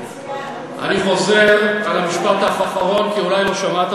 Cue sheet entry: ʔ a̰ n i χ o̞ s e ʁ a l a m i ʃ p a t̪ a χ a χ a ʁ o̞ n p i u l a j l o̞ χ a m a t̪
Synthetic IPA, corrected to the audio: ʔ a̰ n i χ o̞ z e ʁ a l a m i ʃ p a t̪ a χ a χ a ʁ o̞ n k i u l a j l o̞ ʃ a m a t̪